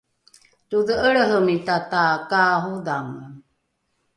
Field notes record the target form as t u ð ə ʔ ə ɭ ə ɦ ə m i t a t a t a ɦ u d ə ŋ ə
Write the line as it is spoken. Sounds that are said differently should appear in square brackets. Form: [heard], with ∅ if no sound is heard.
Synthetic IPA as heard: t u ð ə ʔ ə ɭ ə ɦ ə m i t a t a [k] a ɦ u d [a] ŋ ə